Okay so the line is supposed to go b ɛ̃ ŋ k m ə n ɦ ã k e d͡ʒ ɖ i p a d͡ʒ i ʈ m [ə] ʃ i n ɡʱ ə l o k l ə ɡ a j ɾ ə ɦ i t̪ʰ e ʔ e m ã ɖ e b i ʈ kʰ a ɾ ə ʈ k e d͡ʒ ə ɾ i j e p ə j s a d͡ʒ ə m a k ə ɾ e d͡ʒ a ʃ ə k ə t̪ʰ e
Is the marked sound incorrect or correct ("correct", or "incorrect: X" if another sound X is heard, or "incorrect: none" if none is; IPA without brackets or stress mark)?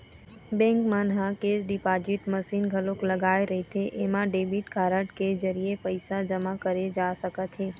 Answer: correct